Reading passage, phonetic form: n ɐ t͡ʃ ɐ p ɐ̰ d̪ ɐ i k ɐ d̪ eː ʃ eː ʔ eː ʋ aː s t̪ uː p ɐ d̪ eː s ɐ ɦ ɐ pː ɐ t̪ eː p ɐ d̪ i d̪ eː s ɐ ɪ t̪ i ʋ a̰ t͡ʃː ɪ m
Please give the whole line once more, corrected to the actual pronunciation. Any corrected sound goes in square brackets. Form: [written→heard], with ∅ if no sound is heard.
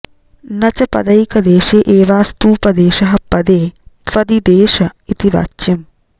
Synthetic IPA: n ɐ t͡ʃ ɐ p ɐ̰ d̪ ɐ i k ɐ d̪ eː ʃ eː ʔ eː ʋ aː s t̪ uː p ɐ d̪ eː [s→ʃ] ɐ ɦ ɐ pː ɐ [t̪→d̪] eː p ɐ d̪ i d̪ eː [s→ʃ] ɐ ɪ t̪ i ʋ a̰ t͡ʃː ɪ m